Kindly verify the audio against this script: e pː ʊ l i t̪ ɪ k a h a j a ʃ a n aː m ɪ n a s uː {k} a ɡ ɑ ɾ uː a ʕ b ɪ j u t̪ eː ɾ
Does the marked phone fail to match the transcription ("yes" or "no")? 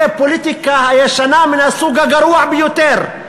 yes